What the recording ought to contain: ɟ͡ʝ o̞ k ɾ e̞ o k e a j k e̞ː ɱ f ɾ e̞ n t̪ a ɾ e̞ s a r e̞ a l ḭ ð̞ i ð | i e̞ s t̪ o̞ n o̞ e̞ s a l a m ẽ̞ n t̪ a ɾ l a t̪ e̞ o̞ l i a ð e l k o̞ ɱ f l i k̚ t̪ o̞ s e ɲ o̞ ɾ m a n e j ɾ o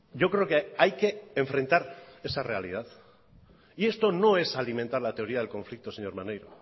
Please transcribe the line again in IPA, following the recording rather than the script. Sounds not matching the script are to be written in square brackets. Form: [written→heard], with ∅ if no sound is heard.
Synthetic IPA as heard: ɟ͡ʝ o̞ k ɾ e̞ o k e a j k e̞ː ɱ f ɾ e̞ n t̪ a ɾ e̞ s a r e̞ a l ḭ ð̞ [i→a] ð | i e̞ s t̪ o̞ n o̞ e̞ s a l [a→i] m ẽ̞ n t̪ a ɾ l a t̪ e̞ o̞ [l→ɾ] i a ð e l k o̞ ɱ f l i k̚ t̪ o̞ s e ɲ o̞ ɾ m a n e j ɾ o

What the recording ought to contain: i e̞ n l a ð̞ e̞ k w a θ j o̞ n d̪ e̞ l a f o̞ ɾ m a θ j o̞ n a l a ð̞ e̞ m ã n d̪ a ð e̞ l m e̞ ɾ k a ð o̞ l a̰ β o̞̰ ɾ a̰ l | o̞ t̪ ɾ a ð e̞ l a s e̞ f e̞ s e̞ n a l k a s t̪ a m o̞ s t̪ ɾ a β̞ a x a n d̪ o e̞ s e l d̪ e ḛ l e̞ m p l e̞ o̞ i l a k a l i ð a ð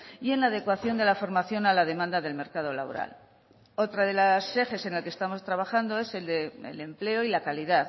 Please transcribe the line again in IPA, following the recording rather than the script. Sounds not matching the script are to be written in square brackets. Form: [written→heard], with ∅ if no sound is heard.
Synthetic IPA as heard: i e̞ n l a ð̞ e̞ k w a θ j o̞ n d̪ e̞ l a f o̞ ɾ m a θ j o̞ n a l a ð̞ e̞ m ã n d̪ a ð e̞ l m e̞ ɾ k a ð o̞ l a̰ β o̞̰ ɾ a̰ l | o̞ t̪ ɾ a ð e̞ l a s e̞ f e̞ s e̞ n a l k [a→e] s t̪ a m o̞ s t̪ ɾ a β̞ a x a n d̪ o e̞ s e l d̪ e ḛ l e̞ m p l e̞ o̞ i l a k a l i ð a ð

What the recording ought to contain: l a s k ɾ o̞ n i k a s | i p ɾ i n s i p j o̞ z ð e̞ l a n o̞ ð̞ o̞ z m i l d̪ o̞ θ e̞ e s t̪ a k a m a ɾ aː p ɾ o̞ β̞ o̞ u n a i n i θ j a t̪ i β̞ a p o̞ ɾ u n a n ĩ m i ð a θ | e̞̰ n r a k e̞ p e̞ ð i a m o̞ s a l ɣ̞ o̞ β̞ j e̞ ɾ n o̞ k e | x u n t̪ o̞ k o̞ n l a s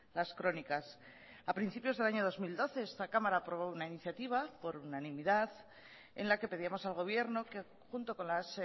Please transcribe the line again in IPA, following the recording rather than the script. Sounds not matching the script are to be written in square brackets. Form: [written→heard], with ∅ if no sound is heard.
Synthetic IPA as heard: l a s k ɾ o̞ n i k a s | [i→a] p ɾ i n [s→θ] i p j o̞ z ð e̞ l a [n→ɲ] o̞ ð̞ o̞ z m i l d̪ o̞ θ e̞ e s t̪ a k a m a ɾ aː p ɾ o̞ β̞ o̞ u n a i n i θ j a t̪ i β̞ a p o̞ ɾ u n a n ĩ m i ð a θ | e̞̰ n [r→l] a k e̞ p e̞ ð i a m o̞ s a l ɣ̞ o̞ β̞ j e̞ ɾ n o̞ k e | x u n t̪ o̞ k o̞ n l a s

